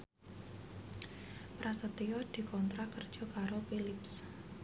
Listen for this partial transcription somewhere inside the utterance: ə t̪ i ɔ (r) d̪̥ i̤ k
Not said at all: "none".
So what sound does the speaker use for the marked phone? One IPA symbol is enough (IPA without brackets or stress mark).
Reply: none